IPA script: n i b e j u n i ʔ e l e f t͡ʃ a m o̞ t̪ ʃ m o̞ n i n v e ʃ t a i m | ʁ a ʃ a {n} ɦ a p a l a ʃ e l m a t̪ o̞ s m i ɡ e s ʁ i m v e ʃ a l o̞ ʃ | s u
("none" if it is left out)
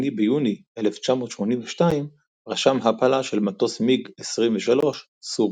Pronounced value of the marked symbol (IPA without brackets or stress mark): m